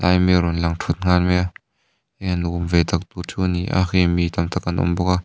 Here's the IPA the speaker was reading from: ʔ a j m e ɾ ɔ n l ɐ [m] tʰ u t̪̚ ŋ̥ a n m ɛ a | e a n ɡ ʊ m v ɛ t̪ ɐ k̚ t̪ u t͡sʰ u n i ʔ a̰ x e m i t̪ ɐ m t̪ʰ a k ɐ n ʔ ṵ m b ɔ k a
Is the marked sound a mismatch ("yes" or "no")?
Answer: yes